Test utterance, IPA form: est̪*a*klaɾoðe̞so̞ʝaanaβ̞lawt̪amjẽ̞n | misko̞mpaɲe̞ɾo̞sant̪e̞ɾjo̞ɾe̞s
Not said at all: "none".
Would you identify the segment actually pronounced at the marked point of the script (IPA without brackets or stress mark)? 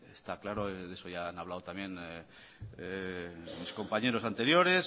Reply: a